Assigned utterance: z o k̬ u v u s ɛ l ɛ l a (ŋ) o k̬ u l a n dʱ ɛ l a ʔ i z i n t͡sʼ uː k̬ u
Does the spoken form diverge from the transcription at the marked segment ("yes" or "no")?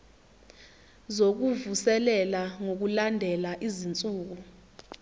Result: no